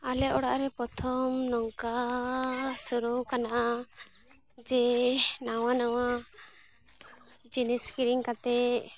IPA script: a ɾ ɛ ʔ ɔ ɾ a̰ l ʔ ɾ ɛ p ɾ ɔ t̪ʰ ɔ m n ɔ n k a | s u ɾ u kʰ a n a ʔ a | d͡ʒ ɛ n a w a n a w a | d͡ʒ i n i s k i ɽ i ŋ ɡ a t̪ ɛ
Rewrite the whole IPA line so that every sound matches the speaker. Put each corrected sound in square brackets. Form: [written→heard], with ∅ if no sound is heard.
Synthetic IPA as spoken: a [ɾ→l] ɛ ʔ ɔ [ɾ→ɽ] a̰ [l→∅] ʔ ɾ ɛ p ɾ ɔ t̪ʰ ɔ m n ɔ [n→ŋ] k a | s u ɾ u [kʰ→k] a n a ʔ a | d͡ʒ ɛ n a w a n a w a | d͡ʒ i n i s k i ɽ i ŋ [ɡ→k] a t̪ ɛ

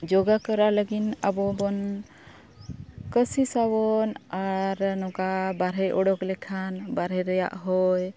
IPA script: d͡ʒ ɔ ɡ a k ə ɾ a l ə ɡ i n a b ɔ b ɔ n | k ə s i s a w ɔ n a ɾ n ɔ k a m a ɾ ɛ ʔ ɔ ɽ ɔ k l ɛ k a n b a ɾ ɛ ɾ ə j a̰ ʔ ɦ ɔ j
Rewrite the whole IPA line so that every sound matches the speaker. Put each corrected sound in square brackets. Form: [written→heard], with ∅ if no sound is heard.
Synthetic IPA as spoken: d͡ʒ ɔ ɡ a k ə ɾ a l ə ɡ i n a b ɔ b ɔ n | k ə s i s a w ɔ n a ɾ n ɔ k a [m→b] a ɾ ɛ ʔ ɔ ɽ ɔ k l ɛ [k→kʰ] a n b a ɾ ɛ ɾ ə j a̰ ʔ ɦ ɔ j

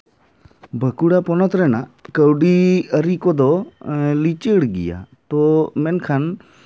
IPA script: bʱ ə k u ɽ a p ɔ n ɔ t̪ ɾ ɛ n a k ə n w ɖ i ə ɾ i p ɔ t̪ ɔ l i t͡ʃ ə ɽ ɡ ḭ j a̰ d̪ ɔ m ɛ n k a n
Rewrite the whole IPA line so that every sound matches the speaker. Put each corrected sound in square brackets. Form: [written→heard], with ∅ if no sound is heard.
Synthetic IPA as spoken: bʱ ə k u ɽ a p ɔ n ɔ t̪ ɾ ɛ n a k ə [n→∅] w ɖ i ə ɾ i [p→k] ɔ [t̪→d̪] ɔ l i t͡ʃ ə ɽ ɡ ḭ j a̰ [d̪→t̪] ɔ m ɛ n [k→kʰ] a n

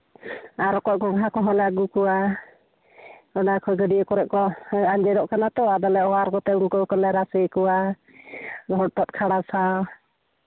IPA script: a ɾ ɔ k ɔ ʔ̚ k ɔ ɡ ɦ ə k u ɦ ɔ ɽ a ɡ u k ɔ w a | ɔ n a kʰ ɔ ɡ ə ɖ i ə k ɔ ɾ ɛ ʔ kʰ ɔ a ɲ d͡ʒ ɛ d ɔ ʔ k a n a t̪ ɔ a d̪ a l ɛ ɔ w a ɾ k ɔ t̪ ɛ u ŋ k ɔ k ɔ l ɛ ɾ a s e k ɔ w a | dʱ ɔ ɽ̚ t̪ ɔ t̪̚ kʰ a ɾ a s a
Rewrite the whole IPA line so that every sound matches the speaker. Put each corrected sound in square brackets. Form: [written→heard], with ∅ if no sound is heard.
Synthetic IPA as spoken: a ɾ ɔ k ɔ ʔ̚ k ɔ ɡ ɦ [ə→a] k [u→ɔ] ɦ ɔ [ɽ→l] a ɡ u k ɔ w a | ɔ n a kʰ ɔ ɡ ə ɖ i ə k ɔ ɾ ɛ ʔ [kʰ→k] ɔ a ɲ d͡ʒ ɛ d ɔ ʔ k a n a t̪ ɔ a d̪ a l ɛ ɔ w a ɾ k ɔ t̪ ɛ u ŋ k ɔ k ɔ l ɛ ɾ a s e k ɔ w a | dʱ ɔ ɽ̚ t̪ ɔ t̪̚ kʰ a [ɾ→ɽ] a s a

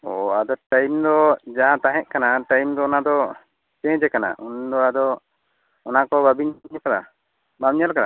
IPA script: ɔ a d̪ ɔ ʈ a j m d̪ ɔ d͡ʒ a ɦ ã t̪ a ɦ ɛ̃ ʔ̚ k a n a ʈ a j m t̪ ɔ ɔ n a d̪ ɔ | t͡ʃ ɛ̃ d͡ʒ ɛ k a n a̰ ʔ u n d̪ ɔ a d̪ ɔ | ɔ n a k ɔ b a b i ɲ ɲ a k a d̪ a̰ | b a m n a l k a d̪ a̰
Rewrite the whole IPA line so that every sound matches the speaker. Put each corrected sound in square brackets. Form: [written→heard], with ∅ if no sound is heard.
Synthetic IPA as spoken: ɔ a d̪ ɔ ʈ a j m d̪ ɔ d͡ʒ a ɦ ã t̪ a ɦ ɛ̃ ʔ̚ k a n a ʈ a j m [t̪→d̪] ɔ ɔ n a d̪ ɔ | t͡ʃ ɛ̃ d͡ʒ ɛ k a n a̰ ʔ u n d̪ ɔ a d̪ ɔ | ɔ n a k ɔ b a b i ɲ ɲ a k a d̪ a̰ | b a m [n→ɲ] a l k a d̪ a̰

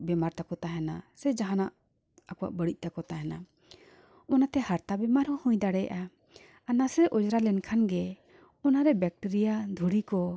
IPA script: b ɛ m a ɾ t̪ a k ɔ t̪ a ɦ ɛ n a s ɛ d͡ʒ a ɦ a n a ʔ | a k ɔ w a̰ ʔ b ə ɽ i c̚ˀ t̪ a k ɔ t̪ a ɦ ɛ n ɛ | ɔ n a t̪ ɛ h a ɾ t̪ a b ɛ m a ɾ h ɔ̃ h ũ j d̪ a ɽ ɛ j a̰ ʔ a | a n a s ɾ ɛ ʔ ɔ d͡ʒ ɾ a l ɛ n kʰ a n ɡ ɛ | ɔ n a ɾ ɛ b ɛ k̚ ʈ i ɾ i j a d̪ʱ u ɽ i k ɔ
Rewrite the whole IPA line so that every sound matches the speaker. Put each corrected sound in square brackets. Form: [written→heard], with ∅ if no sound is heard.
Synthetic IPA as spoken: b ɛ m a ɾ t̪ a k ɔ t̪ a ɦ ɛ n a s ɛ d͡ʒ a ɦ a n a ʔ | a k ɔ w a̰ ʔ b ə ɽ i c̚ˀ t̪ a k ɔ t̪ a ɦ ɛ n [ɛ→a] | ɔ n a t̪ ɛ h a ɾ t̪ a b ɛ m a ɾ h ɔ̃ h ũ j d̪ a ɽ ɛ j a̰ ʔ a | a n a s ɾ ɛ ʔ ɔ d͡ʒ ɾ a l ɛ n kʰ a n ɡ ɛ | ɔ n a ɾ ɛ b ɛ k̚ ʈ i ɾ i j a d̪ʱ u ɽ i k ɔ

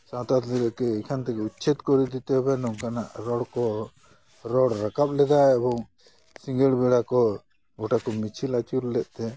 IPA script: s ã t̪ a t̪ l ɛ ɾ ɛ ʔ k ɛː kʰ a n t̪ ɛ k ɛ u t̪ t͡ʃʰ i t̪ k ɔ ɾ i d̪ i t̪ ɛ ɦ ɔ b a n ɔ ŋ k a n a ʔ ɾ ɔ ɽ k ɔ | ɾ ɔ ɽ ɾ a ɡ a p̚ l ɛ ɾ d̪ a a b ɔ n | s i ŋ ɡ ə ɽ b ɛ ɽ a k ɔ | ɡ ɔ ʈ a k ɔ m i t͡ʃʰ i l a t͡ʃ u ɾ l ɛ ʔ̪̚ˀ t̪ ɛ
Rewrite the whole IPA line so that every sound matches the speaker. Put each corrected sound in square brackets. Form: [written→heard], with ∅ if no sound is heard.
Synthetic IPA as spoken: s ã t̪ a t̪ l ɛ ɾ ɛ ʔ k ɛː kʰ a n t̪ ɛ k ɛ u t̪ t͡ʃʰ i t̪ k ɔ ɾ i d̪ i t̪ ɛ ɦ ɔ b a n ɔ ŋ k a n a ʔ ɾ ɔ ɽ k ɔ | ɾ ɔ ɽ ɾ a [ɡ→k] a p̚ l ɛ [ɾ→∅] d̪ a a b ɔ [n→ŋ] | s i ŋ ɡ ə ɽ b ɛ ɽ a k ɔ | ɡ ɔ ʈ a k ɔ m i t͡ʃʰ i l a t͡ʃ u ɾ l ɛ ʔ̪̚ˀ t̪ ɛ

